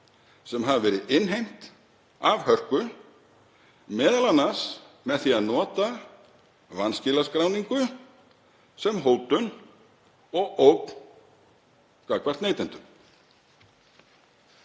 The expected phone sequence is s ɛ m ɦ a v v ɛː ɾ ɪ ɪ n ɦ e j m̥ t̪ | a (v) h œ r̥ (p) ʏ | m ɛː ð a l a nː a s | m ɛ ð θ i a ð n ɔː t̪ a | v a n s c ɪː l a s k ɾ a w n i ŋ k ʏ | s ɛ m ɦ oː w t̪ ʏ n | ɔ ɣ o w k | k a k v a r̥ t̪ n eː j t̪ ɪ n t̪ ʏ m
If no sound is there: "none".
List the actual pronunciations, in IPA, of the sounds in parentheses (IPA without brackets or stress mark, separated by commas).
v, k